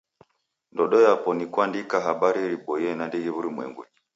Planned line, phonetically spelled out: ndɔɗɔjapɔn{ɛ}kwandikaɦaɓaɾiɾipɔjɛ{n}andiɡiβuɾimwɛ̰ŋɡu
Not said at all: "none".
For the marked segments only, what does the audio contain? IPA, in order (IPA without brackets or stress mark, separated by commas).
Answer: i, n